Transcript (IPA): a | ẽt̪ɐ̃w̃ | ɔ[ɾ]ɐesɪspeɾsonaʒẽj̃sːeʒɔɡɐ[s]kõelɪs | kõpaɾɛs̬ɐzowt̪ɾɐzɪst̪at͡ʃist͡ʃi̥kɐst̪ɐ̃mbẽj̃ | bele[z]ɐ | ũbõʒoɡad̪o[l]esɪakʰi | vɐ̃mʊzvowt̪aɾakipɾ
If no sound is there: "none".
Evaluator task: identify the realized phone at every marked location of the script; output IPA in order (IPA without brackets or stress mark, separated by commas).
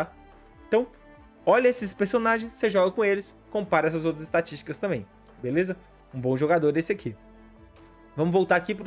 ʎ, none, z, ɾ